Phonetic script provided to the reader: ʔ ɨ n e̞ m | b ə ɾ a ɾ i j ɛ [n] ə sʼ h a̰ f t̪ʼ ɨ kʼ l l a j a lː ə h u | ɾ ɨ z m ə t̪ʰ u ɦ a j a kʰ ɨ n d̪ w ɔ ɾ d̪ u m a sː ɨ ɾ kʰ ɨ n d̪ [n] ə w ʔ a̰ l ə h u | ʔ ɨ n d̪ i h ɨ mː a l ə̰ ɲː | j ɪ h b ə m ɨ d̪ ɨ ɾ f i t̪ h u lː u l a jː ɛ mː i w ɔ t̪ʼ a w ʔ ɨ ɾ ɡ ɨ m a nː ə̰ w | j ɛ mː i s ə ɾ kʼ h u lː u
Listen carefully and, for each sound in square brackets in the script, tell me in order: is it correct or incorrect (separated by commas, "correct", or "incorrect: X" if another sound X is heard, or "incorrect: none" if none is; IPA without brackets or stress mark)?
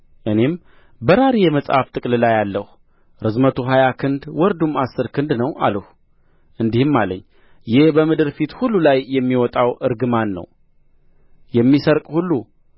incorrect: m, correct